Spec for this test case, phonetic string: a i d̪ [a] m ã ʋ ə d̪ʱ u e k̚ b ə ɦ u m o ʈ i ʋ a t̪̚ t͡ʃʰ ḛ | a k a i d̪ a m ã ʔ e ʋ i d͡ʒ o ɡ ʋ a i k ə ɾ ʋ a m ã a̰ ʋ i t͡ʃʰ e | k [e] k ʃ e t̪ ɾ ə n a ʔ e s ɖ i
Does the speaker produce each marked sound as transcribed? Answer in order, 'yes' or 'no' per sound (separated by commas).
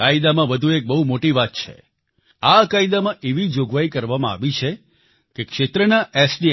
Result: yes, yes